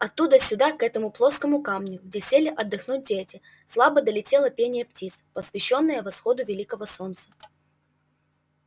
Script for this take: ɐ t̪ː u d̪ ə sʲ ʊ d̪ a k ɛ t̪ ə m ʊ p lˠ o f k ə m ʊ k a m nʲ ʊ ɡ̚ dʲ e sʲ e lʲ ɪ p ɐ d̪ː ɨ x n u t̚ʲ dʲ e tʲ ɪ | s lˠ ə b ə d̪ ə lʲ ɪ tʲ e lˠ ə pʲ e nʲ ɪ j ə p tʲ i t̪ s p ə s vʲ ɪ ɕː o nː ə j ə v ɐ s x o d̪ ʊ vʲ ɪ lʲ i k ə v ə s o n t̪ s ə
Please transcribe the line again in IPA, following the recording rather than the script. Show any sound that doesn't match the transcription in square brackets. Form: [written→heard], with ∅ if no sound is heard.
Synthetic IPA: ɐ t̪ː u d̪ ə sʲ ʊ d̪ a k ɛ t̪ ə m ʊ p lˠ o [f→s] k ə m ʊ k a m nʲ ʊ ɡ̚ dʲ e sʲ e lʲ ɪ [p→ʔ] ɐ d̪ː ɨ x n u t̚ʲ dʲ e tʲ ɪ | s lˠ [ə→a] b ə d̪ ə lʲ ɪ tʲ e lˠ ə pʲ e nʲ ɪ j ə p tʲ i t̪ s p ə s vʲ ɪ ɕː o nː ə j ə v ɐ s x o d̪ ʊ vʲ ɪ lʲ i k ə v ə s o n t̪ s ə